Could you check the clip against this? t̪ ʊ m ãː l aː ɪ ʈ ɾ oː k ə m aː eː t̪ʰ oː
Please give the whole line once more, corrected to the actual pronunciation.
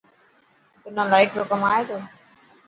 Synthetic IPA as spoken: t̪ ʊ n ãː l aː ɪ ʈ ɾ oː k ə m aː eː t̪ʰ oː